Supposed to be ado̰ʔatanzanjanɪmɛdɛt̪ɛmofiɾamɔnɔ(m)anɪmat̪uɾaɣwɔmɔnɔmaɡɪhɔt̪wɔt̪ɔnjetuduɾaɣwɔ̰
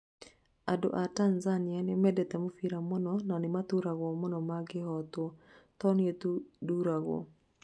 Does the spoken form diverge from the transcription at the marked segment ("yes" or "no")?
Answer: yes